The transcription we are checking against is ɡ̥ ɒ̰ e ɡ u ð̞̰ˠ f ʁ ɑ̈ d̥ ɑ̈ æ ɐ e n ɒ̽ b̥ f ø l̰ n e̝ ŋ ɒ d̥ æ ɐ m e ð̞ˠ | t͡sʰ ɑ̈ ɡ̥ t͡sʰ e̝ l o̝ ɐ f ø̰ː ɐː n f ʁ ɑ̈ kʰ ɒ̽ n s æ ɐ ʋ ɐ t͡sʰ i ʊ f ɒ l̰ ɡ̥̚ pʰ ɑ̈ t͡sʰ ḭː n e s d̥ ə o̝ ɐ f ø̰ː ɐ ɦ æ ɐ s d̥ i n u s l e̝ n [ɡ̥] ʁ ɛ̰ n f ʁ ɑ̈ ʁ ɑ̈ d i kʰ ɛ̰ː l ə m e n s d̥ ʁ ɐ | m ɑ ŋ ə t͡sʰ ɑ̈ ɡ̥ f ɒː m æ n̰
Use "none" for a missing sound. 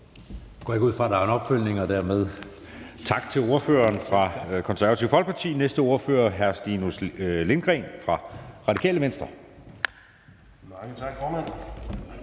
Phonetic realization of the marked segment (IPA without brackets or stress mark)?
ɡ̥